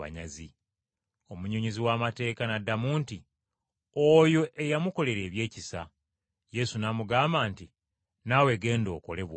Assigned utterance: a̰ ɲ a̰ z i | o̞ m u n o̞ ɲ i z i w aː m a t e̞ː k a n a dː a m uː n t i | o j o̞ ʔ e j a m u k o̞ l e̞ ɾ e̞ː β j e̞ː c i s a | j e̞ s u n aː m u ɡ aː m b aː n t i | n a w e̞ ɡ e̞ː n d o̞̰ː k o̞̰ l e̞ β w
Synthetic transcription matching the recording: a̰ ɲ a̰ z i | o̞ m u ɲ o̞ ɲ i z i w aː m a t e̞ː k a n a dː a m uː n t i | o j o̞ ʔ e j a m u k o̞ l e̞ ɾ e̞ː β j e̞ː c i s a | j e̞ s u n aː m u ɡ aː m b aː n t i | n a w e̞ ɡ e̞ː n d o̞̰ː k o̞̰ l e̞ β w